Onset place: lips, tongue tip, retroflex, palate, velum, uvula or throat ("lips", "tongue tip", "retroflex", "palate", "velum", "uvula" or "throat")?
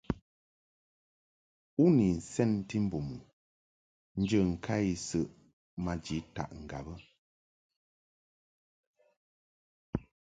tongue tip